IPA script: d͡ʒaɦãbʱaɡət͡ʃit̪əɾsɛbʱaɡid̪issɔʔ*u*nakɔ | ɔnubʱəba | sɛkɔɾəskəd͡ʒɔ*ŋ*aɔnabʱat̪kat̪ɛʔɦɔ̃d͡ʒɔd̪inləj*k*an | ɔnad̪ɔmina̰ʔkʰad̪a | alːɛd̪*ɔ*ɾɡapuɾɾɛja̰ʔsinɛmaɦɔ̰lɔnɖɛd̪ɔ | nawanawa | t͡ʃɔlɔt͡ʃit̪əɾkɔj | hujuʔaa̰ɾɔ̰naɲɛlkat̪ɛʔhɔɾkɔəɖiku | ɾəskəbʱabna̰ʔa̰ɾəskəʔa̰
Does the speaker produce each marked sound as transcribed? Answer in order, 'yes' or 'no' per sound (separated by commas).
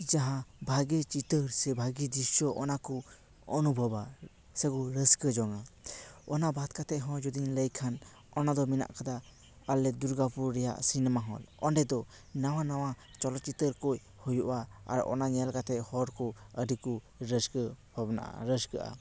no, yes, no, no